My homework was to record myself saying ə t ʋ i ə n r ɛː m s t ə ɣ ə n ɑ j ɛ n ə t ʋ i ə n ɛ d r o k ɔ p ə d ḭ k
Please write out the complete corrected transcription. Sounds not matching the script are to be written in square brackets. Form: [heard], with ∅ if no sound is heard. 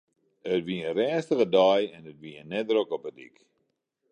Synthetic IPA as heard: ə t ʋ i ə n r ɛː [n] s t ə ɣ ə [d] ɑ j ɛ n ə t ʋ i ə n ɛ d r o k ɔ p ə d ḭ k